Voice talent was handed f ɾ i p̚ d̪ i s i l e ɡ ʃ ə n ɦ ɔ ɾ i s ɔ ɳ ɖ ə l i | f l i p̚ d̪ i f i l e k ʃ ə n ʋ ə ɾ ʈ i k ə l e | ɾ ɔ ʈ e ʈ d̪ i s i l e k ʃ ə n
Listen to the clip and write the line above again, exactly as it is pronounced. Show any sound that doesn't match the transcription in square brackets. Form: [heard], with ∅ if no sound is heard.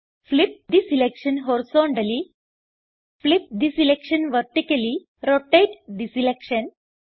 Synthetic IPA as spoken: f [l] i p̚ d̪ i s i l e [k] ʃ ə n ɦ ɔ ɾ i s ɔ ɳ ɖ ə l i | f l i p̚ d̪ i [s] i l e k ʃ ə n ʋ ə ɾ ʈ i k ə l [i] | ɾ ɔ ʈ e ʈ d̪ i s i l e k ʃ ə n